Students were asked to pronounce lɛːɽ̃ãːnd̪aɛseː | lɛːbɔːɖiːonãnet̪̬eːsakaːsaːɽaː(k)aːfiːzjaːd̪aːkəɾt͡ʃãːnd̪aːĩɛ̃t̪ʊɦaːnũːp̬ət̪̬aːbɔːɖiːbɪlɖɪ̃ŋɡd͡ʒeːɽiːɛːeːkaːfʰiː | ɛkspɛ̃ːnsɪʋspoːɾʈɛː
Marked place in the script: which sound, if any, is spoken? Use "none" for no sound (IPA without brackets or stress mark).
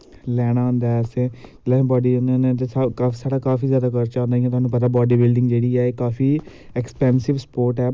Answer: k